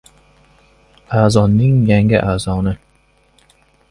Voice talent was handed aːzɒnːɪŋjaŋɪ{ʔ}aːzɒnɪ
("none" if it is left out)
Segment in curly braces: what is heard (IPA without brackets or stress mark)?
ʔ